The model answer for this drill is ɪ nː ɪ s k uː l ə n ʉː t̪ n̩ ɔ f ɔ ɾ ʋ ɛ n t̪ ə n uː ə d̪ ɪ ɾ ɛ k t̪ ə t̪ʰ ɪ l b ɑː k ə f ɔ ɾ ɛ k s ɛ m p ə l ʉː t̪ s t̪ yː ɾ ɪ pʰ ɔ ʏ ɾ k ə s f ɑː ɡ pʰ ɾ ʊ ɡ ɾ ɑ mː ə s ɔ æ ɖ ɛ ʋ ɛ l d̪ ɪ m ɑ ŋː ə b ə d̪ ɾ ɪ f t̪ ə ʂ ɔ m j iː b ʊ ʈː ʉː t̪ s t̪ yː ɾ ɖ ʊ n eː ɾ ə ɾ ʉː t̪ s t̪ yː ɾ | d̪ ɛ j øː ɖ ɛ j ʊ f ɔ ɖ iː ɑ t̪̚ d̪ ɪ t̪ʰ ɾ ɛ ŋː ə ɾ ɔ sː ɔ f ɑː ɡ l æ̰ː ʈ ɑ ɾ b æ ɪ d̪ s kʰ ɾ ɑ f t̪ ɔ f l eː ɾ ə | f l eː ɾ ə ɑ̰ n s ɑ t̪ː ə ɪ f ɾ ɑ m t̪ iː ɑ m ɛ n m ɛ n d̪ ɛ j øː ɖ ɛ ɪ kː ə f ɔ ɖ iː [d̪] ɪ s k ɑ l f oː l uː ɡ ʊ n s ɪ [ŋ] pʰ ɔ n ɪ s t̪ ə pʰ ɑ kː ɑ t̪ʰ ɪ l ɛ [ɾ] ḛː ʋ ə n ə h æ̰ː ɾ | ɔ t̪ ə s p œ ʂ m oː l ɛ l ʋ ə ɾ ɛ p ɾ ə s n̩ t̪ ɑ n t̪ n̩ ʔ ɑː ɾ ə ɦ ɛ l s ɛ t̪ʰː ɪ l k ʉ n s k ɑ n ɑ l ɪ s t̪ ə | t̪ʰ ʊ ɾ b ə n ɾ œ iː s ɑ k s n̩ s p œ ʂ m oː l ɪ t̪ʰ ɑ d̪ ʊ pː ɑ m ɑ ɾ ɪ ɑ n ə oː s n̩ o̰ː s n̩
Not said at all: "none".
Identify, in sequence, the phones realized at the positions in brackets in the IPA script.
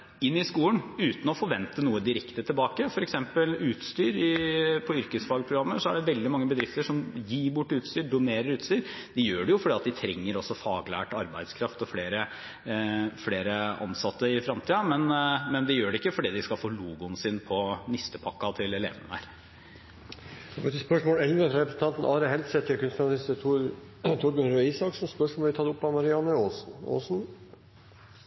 d̪, n, l

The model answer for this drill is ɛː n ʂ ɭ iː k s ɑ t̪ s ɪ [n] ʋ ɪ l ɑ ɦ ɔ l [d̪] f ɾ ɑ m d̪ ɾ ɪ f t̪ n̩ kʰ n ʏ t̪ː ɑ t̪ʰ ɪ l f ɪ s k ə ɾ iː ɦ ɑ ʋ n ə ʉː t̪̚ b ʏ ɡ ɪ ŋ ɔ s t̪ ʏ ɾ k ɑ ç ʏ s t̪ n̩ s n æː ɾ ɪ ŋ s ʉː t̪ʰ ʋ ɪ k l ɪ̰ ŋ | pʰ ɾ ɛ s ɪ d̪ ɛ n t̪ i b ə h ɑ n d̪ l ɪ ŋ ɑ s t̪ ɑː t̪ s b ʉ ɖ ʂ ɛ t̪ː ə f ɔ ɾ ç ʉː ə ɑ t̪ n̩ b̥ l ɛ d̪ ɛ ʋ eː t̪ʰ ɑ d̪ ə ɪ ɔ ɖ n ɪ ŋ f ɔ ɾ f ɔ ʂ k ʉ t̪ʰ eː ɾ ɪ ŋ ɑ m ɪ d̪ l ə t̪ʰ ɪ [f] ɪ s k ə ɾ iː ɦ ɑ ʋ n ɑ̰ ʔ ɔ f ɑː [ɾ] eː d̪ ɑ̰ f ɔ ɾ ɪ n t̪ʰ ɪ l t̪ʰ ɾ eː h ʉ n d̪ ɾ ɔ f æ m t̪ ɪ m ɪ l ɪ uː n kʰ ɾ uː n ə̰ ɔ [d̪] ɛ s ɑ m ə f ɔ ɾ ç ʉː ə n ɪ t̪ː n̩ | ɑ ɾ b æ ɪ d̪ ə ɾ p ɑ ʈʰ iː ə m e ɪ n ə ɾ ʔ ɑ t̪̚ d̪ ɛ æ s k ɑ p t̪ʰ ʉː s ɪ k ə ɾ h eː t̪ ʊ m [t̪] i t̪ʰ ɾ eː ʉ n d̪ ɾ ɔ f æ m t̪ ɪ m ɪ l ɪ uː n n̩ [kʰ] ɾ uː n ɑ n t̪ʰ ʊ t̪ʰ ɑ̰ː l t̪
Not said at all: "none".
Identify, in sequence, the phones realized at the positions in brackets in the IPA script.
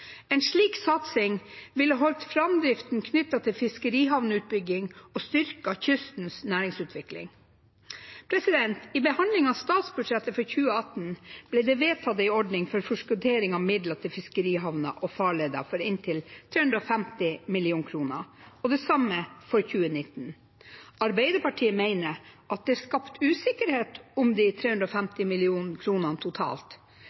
ŋ, t̪, f, ɭ, d̪, d̪, kʰ

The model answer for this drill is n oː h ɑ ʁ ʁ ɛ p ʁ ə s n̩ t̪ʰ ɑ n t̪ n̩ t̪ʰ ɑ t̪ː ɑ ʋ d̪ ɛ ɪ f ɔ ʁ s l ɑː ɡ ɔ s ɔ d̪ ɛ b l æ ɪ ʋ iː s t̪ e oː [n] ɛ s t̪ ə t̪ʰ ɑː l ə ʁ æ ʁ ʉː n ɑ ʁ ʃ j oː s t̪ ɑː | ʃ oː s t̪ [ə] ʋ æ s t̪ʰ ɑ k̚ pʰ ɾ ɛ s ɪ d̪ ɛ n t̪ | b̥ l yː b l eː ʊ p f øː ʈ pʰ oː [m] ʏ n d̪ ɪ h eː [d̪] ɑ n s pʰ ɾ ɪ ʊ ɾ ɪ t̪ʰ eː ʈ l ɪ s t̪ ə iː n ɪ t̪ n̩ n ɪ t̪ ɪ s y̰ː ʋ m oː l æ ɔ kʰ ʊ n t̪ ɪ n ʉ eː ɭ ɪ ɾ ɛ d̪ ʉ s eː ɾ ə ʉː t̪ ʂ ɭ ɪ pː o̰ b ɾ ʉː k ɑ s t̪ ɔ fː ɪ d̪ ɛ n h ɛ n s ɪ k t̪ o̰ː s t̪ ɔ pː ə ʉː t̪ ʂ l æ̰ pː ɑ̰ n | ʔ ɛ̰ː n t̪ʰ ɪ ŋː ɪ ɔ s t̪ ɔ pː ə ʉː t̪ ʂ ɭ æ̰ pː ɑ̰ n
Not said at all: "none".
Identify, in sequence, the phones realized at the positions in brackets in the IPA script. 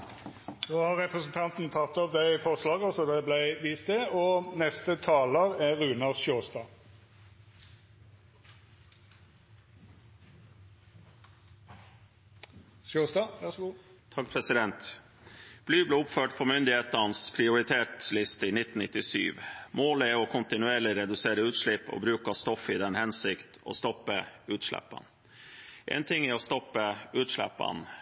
n, ɑ, m, t̪

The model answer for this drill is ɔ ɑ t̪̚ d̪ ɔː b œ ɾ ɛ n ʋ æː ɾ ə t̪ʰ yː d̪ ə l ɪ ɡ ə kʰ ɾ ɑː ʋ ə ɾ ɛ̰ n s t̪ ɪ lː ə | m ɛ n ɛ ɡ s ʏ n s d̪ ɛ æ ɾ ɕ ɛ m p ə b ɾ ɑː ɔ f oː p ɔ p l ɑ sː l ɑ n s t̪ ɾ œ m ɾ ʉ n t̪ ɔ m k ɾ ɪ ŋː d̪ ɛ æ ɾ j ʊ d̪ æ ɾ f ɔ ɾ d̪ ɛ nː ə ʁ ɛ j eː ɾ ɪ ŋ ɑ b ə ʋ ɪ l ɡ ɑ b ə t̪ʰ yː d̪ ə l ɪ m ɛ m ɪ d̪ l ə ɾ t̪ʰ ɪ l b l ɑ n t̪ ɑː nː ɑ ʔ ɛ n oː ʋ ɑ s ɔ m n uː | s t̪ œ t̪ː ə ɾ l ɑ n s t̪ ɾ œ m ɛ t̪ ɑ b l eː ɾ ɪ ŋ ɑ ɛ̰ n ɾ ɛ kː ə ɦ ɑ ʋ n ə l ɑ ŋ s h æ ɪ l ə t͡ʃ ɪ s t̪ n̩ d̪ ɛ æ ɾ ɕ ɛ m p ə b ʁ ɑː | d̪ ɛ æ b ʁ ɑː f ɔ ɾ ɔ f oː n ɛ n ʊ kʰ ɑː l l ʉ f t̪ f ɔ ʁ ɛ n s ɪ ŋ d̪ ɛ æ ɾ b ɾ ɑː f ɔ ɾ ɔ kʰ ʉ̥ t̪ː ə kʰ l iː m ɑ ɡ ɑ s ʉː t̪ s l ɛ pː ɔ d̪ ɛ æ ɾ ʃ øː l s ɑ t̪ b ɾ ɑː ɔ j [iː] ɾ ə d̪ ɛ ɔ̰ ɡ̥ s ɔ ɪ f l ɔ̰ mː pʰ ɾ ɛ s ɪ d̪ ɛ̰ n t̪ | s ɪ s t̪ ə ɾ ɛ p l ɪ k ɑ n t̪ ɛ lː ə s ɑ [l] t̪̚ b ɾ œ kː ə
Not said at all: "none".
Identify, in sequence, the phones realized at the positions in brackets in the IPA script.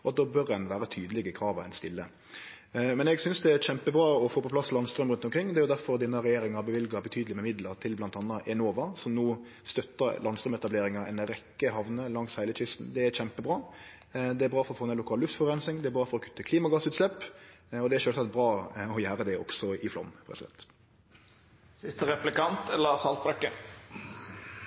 æː, l

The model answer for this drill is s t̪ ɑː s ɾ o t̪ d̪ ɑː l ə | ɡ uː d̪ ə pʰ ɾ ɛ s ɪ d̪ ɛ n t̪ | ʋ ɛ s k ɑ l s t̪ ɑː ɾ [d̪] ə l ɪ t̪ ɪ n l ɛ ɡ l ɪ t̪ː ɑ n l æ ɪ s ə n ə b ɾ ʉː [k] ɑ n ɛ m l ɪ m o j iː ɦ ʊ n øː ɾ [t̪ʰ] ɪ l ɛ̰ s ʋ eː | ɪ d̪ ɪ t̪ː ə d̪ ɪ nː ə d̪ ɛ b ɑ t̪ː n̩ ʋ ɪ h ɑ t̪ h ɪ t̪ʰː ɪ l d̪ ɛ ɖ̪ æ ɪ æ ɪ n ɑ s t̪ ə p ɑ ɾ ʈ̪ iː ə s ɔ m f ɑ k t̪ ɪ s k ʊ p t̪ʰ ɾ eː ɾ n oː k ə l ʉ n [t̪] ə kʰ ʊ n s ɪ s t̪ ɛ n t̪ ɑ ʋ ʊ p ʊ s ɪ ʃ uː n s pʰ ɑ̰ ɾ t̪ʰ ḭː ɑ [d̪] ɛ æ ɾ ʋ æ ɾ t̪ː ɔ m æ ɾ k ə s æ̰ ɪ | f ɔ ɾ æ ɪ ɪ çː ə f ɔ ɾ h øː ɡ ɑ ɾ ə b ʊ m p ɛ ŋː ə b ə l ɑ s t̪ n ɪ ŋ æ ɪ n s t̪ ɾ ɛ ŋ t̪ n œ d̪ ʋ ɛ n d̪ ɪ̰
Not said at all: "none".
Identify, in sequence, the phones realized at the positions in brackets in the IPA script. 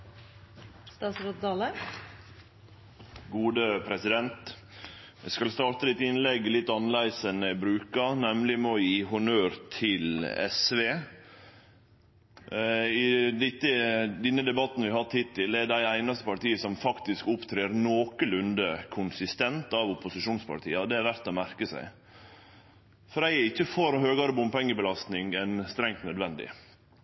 t̪, k, t̪ʰ, d̪, d̪

